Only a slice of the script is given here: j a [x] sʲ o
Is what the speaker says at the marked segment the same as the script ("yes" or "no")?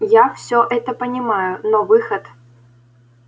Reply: no